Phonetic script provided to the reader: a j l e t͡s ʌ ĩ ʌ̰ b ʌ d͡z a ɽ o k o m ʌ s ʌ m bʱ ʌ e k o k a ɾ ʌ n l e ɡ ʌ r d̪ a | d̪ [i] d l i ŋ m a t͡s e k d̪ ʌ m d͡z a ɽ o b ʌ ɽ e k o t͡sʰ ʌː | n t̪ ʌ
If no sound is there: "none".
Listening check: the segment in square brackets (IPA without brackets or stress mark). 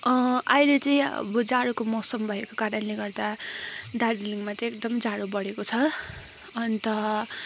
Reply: a